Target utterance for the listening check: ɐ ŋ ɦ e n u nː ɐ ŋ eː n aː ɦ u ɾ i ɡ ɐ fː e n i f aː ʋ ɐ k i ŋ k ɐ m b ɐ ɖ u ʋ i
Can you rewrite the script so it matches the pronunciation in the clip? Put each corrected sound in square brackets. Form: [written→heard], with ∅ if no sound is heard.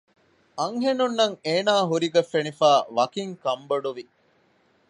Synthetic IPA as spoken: ɐ ŋ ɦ e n u nː ɐ ŋ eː n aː ɦ u ɾ i ɡ ɐ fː e n i f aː ʋ ɐ k i ŋ k ɐ m b ɐ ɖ u ʋ i